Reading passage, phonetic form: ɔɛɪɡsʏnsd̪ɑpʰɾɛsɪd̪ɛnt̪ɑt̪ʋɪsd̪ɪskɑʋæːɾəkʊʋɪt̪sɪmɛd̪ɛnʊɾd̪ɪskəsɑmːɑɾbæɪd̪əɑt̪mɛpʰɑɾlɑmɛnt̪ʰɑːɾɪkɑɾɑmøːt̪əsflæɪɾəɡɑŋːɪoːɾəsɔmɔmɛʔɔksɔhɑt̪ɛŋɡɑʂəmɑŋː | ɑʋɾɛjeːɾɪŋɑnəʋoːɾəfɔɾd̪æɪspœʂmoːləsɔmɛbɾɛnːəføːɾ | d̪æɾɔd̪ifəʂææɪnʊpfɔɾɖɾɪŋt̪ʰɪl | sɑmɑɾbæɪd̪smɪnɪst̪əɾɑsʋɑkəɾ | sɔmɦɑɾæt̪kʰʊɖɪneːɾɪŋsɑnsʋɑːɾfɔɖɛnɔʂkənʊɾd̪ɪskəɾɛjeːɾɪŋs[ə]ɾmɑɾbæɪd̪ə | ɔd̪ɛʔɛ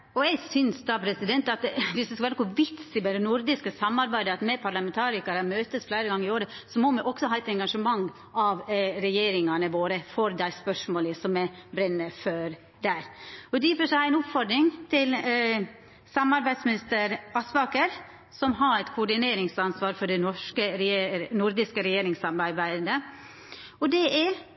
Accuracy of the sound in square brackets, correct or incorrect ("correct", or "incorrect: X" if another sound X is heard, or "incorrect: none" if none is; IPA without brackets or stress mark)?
incorrect: ɑ